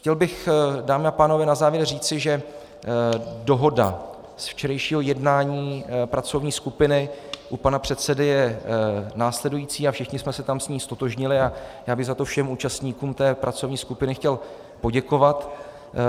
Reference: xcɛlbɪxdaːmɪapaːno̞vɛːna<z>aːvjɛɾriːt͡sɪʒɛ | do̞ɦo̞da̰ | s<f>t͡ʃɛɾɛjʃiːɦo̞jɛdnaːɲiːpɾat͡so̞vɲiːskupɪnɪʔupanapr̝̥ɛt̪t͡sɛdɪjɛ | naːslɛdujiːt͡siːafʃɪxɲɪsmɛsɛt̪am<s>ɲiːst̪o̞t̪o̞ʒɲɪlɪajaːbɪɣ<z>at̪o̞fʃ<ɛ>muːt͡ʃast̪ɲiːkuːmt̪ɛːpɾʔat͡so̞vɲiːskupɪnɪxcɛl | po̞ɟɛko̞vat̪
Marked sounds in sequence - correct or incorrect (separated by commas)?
correct, correct, correct, correct, correct